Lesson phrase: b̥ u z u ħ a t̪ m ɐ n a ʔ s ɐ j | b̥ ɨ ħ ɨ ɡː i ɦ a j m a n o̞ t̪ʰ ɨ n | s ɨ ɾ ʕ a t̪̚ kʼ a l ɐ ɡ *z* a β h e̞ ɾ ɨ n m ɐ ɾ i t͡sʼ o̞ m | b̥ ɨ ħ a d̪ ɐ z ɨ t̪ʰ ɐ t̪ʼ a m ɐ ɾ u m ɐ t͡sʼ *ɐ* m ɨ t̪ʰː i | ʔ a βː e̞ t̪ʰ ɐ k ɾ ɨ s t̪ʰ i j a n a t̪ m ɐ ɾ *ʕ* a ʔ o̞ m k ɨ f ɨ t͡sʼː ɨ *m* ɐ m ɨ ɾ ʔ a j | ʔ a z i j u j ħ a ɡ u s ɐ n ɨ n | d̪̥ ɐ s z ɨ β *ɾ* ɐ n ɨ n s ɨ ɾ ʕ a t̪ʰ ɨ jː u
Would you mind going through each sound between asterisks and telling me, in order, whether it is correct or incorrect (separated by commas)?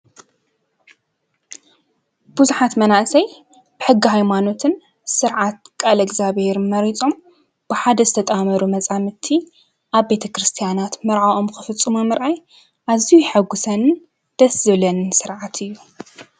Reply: correct, incorrect, correct, correct, incorrect